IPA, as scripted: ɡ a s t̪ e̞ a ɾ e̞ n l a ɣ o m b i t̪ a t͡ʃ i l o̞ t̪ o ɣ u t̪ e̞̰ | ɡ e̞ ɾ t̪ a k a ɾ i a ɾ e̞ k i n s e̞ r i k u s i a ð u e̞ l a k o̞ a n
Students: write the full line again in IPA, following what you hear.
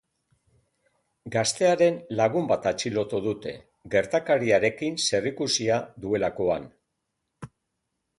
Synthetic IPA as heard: ɡ a s t̪ e̞ a ɾ e̞ n l a ɣ u m b a t̪ a t͡ʃ i l o̞ t̪ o ð u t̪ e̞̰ | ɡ e̞ ɾ t̪ a k a ɾ i a ɾ e̞ k i n s e̞ r i k u s i a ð u e̞ l a k o̞ a n